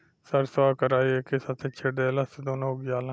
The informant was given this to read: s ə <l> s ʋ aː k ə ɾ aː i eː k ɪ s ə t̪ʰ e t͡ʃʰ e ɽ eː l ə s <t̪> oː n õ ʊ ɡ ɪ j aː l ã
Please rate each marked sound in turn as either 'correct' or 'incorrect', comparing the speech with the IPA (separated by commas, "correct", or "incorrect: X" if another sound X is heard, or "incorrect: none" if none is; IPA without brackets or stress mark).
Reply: incorrect: ɾ, incorrect: d̪